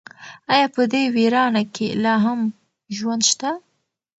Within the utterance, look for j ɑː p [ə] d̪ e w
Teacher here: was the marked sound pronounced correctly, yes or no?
yes